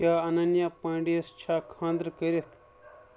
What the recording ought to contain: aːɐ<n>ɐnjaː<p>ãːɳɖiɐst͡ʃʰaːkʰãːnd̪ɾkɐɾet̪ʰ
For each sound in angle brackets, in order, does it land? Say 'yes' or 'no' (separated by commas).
yes, yes